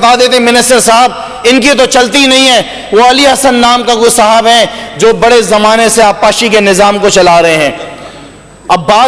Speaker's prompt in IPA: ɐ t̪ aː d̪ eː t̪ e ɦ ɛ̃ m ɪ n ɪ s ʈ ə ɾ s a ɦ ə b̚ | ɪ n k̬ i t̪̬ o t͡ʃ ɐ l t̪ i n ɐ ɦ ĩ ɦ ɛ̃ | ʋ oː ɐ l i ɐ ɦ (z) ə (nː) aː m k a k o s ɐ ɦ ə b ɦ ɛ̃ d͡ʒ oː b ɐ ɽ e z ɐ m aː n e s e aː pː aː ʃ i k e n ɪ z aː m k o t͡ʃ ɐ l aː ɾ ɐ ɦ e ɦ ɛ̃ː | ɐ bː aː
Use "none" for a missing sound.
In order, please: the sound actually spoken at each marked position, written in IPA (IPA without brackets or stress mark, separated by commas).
s, nː